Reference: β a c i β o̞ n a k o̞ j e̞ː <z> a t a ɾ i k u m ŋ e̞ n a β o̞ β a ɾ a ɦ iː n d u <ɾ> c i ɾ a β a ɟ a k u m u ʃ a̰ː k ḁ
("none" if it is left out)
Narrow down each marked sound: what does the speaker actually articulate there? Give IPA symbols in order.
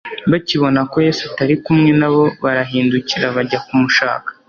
s, none

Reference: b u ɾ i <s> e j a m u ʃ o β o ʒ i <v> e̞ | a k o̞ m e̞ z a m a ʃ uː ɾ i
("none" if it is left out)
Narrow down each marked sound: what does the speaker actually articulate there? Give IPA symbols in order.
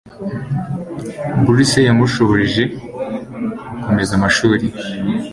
s, ʒ

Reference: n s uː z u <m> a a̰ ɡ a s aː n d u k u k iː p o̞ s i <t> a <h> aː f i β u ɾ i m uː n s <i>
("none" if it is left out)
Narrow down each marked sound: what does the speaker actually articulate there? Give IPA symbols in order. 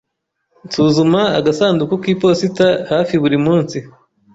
m, t, h, i

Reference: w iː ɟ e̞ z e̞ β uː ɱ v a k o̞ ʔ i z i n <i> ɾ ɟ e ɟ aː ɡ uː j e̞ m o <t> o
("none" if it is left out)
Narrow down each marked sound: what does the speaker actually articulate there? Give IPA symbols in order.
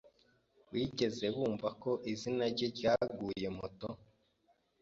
a, t

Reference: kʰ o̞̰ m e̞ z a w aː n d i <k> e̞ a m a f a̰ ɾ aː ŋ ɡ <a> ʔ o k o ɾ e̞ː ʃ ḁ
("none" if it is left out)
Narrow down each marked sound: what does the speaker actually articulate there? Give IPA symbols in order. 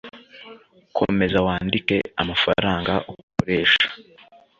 k, a

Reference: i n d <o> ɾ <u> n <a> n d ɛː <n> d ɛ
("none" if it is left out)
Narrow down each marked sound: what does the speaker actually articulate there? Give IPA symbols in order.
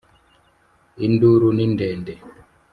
u, u, i, n

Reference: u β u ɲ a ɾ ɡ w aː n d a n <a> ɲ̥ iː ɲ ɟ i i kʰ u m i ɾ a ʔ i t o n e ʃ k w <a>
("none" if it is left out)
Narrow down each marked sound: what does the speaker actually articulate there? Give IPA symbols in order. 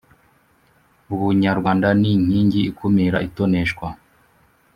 i, a

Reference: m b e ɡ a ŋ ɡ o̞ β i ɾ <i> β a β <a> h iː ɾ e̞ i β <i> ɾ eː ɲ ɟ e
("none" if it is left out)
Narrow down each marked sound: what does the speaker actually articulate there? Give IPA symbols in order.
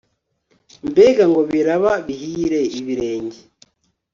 a, i, i

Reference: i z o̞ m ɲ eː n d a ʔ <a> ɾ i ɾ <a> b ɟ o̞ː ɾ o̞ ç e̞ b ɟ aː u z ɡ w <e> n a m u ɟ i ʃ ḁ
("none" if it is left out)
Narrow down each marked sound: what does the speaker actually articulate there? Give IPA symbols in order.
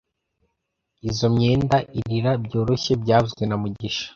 i, a, e

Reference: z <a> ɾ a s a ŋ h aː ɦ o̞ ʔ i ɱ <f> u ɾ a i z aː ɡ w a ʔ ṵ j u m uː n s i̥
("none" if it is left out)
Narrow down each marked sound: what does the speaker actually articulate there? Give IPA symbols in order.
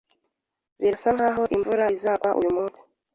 i, v

